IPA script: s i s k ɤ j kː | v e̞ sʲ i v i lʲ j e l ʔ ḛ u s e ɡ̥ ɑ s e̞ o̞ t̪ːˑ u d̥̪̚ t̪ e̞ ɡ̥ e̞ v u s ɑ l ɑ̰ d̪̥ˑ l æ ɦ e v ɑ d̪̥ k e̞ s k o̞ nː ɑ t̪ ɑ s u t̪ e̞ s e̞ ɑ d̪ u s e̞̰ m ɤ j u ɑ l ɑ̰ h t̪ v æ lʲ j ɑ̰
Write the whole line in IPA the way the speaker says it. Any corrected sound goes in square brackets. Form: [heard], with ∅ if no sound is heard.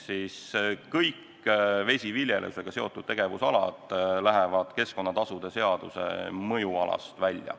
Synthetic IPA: s i s k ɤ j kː | v e̞ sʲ i v i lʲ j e l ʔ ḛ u s e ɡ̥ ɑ s e̞ o̞ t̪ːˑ u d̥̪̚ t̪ e̞ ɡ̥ e̞ v u s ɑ l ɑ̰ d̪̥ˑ l æ ɦ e v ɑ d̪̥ k e̞ s k o̞ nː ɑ t̪ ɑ s u [d̪] e̞ s e̞ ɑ d̪ u s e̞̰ m ɤ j u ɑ l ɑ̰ [s] t̪ v æ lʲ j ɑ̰